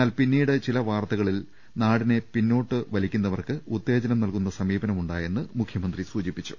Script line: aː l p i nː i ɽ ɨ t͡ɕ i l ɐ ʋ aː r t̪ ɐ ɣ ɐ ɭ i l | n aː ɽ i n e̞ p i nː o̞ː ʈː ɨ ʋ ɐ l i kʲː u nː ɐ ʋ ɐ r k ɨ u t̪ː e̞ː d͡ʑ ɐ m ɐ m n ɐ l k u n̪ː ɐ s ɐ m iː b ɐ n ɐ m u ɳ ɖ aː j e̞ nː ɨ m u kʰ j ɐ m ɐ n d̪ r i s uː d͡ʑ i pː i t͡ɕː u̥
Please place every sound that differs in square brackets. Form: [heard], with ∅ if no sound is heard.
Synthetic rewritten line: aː l p i nː [iː] ɽ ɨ t͡ɕ i l ɐ ʋ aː r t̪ ɐ ɣ ɐ ɭ i l | n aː ɽ i n e̞ p i nː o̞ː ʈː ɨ ʋ ɐ l i kʲː u nː ɐ ʋ ɐ r k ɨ u t̪ː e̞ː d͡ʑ ɐ [n] ɐ m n ɐ l k u n̪ː ɐ s ɐ m iː b ɐ n ɐ m u ɳ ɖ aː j e̞ nː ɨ m u kʰ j ɐ m ɐ n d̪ r i s uː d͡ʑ i pː i t͡ɕː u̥